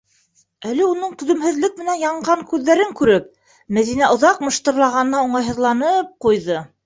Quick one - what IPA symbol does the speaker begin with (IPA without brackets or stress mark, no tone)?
æ